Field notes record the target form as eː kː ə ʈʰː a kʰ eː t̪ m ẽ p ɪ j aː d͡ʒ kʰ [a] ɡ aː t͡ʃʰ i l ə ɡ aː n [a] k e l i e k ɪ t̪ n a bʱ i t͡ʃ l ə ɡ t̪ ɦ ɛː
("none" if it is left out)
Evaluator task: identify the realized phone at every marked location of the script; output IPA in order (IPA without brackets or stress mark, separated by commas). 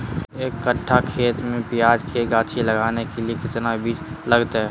e, e